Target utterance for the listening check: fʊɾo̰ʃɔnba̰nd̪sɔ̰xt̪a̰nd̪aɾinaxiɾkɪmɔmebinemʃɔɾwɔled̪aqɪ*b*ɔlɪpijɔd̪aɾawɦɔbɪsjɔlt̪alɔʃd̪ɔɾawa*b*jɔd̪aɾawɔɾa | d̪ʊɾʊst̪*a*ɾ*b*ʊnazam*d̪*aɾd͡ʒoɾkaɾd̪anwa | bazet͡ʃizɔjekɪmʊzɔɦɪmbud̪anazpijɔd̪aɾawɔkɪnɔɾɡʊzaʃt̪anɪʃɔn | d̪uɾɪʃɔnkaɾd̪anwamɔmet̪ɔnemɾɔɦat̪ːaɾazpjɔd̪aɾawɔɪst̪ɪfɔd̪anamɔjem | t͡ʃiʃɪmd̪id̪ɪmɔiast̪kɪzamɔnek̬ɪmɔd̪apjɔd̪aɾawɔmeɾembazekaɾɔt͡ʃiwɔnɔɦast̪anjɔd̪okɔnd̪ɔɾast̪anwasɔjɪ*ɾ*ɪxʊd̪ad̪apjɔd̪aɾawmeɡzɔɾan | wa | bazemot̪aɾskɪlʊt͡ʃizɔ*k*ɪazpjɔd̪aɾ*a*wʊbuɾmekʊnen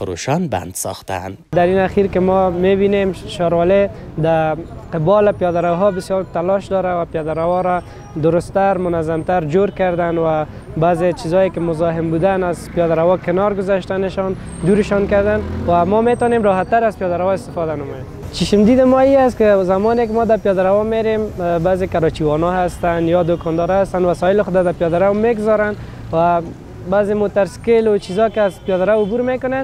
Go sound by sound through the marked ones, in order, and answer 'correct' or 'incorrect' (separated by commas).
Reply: correct, incorrect, correct, incorrect, incorrect, incorrect, correct, correct